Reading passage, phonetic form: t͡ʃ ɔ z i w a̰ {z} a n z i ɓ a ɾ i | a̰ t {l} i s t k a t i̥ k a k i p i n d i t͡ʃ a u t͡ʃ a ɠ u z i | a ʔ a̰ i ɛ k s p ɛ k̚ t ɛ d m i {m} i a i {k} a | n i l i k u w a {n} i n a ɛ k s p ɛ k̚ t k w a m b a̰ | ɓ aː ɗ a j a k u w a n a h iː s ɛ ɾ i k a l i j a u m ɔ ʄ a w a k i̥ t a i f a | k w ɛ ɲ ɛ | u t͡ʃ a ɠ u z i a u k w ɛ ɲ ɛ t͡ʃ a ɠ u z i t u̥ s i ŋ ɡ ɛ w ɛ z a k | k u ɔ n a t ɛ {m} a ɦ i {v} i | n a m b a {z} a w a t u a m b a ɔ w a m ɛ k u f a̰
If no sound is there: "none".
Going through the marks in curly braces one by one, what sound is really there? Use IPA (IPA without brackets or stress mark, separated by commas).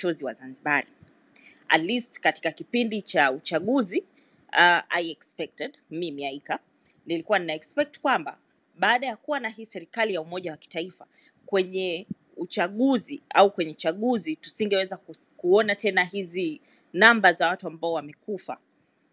z, l, m, k, n, n, z, z